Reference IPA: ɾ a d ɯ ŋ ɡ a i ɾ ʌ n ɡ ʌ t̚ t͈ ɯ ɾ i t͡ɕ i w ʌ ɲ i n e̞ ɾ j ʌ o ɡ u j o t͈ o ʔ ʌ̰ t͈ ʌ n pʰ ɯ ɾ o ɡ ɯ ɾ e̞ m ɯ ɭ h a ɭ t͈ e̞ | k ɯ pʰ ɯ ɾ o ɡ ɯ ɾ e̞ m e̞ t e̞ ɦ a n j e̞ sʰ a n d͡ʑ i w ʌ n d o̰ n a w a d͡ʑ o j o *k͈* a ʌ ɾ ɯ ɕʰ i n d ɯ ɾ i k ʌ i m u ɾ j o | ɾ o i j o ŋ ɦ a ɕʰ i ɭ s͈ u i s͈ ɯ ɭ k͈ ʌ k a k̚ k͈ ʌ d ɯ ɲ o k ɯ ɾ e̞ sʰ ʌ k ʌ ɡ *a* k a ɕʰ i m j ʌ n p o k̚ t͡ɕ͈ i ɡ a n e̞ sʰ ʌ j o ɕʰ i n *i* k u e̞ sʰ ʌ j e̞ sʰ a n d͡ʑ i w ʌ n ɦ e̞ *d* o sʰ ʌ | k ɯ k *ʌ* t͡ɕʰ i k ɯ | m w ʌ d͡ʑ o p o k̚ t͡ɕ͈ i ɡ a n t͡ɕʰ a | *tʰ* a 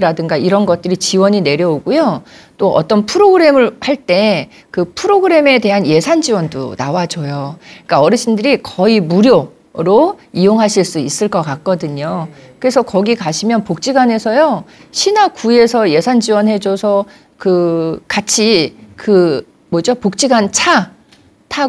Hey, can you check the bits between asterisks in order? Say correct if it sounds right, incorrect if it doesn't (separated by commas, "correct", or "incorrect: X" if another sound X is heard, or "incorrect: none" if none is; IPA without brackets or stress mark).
correct, incorrect: i, incorrect: a, incorrect: d͡ʑ, incorrect: a, correct